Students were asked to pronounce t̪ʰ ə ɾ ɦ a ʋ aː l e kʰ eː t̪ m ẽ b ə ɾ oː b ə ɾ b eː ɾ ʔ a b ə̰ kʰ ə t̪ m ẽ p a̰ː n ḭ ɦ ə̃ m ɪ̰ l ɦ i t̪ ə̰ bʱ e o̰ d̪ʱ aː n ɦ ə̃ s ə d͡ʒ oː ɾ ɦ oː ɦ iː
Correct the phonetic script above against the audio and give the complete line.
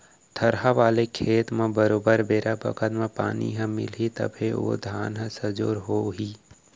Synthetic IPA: t̪ʰ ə ɾ ɦ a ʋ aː l e kʰ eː t̪ m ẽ b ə ɾ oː b ə ɾ b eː ɾ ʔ a b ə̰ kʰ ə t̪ m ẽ p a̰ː n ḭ ɦ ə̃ m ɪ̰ l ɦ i t̪ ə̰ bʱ e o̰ d̪ʱ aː n ɦ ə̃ s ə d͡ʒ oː ɾ ɦ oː ɦ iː